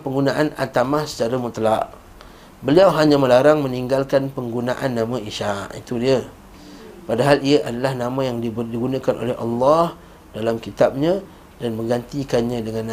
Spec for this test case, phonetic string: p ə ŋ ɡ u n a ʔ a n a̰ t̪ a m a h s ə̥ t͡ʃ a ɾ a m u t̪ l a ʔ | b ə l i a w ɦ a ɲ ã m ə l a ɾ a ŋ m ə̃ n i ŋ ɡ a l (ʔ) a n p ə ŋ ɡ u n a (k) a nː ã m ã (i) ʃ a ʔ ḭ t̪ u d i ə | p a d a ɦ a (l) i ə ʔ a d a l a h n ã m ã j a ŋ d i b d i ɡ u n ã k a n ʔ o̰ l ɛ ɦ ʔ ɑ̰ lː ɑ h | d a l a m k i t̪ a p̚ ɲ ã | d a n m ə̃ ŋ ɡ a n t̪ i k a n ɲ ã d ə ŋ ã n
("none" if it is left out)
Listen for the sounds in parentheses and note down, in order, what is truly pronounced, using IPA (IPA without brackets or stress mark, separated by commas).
k, ʔ, i, l